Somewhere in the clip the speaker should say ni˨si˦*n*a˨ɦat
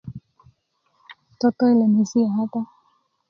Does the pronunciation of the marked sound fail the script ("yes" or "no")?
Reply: yes